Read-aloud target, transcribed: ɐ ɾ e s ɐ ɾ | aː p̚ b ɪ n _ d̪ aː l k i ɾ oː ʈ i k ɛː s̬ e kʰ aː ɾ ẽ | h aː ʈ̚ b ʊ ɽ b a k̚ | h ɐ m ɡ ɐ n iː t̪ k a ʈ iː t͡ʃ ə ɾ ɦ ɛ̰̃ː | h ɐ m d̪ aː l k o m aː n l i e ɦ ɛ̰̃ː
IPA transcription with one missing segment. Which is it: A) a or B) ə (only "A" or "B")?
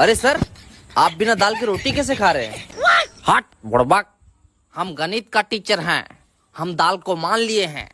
A